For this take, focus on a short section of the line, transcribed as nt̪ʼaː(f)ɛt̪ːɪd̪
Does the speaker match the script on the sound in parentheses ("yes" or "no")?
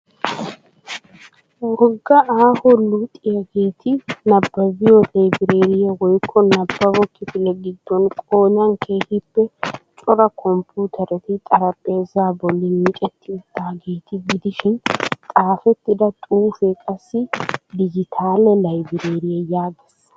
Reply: yes